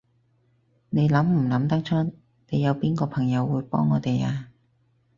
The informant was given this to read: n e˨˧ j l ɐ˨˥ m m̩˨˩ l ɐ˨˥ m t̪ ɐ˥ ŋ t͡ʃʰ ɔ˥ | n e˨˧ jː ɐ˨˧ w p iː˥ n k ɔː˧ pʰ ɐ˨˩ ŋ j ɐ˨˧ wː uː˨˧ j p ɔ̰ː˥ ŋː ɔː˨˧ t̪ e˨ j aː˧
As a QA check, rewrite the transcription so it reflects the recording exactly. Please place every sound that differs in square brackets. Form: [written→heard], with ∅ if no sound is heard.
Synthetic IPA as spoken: n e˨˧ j l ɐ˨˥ m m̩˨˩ l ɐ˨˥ m t̪ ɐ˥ ŋ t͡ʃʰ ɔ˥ | n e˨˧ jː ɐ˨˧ w p iː˥ n k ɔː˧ pʰ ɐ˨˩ ŋ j ɐ˨˧ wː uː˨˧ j p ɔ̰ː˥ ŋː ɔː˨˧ t̪ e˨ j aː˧